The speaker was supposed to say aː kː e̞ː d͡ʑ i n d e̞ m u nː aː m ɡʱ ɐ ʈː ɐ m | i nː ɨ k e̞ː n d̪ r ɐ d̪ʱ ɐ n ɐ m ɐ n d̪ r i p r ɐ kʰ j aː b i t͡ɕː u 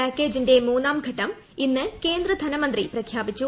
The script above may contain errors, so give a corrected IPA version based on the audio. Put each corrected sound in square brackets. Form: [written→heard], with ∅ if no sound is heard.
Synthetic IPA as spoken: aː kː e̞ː d͡ʑ i n d e̞ m [u→uː] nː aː m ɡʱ ɐ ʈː ɐ m | i nː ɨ k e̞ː n d̪ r ɐ d̪ʱ ɐ n ɐ m ɐ n d̪ r i p r ɐ kʰ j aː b i t͡ɕː u